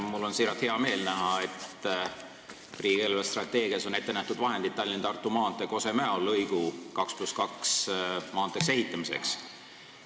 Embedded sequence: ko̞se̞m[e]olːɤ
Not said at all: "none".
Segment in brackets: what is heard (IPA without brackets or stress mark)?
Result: æ